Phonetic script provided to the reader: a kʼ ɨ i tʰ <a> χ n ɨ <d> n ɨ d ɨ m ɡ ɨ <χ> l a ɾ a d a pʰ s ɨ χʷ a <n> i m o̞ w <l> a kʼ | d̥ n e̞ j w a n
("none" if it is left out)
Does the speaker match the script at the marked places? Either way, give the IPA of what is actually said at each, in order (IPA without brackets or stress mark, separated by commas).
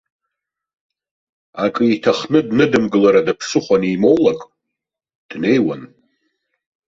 a, d, none, n, l